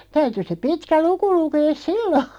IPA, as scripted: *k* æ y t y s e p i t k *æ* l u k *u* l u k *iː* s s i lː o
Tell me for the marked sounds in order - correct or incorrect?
incorrect, correct, correct, incorrect

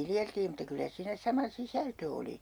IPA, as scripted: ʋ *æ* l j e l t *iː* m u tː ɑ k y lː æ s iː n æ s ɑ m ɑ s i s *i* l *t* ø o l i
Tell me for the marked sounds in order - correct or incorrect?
incorrect, correct, incorrect, correct

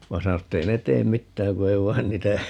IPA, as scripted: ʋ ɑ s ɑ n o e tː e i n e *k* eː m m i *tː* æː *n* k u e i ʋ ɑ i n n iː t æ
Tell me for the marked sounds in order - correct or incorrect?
incorrect, correct, incorrect

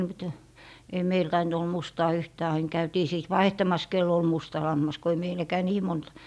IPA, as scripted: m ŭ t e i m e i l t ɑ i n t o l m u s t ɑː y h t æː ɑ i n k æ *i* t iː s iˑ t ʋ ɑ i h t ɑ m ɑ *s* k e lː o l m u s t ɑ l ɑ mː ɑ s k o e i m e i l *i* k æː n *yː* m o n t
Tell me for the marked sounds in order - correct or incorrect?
incorrect, correct, incorrect, incorrect

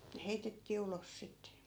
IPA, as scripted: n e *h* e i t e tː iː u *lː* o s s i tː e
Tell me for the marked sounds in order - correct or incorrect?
correct, incorrect

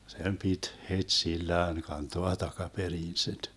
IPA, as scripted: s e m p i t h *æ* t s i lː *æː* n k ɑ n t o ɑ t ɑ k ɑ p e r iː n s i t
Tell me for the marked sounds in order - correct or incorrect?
incorrect, correct

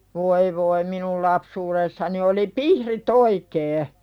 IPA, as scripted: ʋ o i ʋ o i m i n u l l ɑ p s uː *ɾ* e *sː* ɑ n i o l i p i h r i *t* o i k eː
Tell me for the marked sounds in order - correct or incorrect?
correct, correct, correct

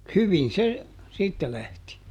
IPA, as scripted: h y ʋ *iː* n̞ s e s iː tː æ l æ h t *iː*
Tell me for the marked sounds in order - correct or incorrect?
incorrect, incorrect

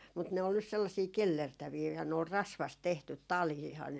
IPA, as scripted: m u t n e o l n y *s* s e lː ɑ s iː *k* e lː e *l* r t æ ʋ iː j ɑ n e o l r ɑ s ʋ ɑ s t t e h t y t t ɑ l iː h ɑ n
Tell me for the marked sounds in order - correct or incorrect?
correct, correct, incorrect

